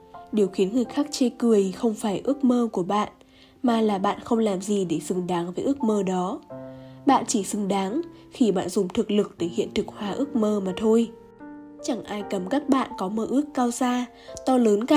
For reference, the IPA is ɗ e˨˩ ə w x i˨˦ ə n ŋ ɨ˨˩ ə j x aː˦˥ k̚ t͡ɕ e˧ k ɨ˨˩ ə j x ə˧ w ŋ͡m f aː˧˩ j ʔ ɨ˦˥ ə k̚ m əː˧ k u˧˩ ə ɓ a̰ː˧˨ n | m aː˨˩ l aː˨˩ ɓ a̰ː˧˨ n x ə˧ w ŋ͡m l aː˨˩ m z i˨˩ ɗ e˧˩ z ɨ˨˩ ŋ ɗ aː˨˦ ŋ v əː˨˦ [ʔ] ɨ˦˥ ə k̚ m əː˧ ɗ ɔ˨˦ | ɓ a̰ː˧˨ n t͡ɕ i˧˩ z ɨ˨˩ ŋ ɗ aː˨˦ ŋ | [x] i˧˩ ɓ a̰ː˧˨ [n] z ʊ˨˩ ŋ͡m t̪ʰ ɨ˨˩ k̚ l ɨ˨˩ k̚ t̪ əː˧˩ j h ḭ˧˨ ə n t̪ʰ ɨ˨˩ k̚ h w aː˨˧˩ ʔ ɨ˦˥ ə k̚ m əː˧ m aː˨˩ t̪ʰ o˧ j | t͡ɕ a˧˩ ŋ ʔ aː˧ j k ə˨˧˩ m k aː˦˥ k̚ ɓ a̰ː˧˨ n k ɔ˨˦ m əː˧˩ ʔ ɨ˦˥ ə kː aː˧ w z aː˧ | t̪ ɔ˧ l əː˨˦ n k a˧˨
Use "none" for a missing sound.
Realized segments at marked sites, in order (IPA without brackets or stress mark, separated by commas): ʔ, x, n